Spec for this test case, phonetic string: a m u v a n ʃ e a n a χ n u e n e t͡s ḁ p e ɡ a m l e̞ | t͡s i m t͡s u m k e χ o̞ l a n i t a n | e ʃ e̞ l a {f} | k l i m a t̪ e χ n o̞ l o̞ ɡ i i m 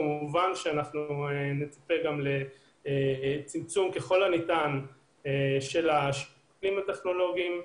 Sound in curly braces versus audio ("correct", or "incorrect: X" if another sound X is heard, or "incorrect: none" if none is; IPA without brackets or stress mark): incorrect: ʃ